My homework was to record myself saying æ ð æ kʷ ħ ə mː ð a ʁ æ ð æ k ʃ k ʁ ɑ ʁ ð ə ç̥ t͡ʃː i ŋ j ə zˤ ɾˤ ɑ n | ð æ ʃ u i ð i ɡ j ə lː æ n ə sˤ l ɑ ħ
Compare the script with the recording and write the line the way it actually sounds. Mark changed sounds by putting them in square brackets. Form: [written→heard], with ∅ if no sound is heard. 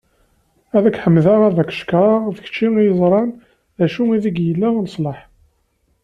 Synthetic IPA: æ ð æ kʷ ħ ə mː ð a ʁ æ ð æ k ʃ k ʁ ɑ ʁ ð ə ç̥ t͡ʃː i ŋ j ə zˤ ɾˤ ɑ n | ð æ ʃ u i ð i ɡ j ə lː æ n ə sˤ l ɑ ħ